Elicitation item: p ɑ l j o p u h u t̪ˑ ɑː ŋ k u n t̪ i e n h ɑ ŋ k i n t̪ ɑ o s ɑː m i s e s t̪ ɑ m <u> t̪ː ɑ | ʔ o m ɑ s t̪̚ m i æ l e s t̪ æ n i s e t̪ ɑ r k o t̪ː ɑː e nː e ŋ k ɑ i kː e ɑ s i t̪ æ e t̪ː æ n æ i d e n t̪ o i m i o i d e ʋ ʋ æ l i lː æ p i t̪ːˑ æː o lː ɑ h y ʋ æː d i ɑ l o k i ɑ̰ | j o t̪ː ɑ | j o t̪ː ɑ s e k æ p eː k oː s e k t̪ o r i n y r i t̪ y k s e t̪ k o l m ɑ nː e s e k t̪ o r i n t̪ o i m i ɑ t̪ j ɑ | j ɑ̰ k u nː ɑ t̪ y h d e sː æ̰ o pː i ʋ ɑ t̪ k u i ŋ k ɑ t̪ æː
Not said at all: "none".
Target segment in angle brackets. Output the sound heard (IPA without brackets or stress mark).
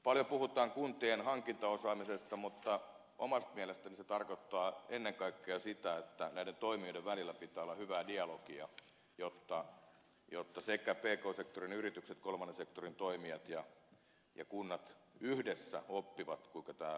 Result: u